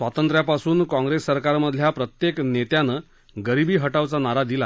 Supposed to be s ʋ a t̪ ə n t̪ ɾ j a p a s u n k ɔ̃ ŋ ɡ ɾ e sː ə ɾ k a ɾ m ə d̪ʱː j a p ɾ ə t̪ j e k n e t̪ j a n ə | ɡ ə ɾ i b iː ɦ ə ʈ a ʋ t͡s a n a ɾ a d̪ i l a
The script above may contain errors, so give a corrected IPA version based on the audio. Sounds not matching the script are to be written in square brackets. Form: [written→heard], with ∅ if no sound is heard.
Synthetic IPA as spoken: s ʋ a t̪ ə n t̪ ɾ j a p a s [u→uː] n k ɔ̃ ŋ ɡ ɾ e sː ə ɾ k a ɾ m ə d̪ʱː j a p ɾ ə t̪ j e k n e t̪ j a n ə | ɡ ə ɾ i b iː ɦ ə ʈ a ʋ t͡s a n a ɾ a d̪ i l a